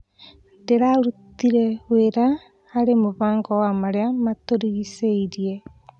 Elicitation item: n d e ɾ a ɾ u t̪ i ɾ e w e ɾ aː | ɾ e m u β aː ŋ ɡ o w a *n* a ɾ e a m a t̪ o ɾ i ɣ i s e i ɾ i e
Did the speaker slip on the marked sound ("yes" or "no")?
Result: yes